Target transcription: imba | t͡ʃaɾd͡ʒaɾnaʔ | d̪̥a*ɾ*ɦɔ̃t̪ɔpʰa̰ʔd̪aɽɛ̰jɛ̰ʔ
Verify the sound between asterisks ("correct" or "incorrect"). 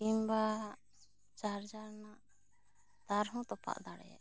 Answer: correct